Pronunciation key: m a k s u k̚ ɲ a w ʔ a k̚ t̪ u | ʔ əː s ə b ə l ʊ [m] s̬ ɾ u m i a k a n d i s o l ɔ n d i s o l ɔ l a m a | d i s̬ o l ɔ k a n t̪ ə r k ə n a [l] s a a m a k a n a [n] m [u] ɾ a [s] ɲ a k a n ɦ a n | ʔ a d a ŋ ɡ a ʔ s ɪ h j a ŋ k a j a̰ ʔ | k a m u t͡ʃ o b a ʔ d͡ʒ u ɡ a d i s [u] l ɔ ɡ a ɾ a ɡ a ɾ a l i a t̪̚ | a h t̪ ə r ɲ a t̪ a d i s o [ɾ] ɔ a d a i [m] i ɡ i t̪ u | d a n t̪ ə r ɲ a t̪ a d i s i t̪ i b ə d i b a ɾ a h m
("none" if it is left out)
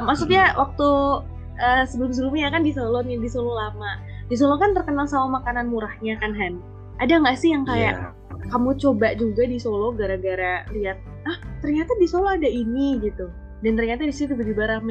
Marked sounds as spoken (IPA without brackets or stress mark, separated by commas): m, l, n, u, h, o, l, n